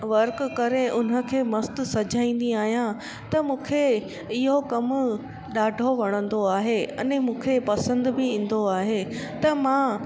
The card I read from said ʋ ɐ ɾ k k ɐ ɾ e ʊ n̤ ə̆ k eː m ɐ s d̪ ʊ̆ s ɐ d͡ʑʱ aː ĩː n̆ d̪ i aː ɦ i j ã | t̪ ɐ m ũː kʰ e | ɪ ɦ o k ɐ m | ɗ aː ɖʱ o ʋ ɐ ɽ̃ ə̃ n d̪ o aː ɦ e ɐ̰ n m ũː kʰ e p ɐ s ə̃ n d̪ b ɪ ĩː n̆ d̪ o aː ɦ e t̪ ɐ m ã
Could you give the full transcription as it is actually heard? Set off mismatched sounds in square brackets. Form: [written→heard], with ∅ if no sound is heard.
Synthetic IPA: ʋ ɐ ɾ k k ɐ ɾ e ʊ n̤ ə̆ [k→kʰ] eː m ɐ s [d̪→t̪] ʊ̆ s ɐ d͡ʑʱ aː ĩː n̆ d̪ i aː ɦ i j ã | t̪ ɐ m ũː kʰ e | ɪ ɦ o k ɐ m | ɗ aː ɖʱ o ʋ ɐ ɽ̃ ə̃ n d̪ o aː ɦ e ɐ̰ n m ũː kʰ e p ɐ s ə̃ n d̪ b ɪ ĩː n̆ d̪ o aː ɦ e t̪ ɐ m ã